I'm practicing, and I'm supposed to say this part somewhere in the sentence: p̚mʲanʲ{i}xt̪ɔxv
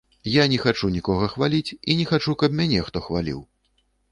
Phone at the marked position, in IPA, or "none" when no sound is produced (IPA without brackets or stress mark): ɛ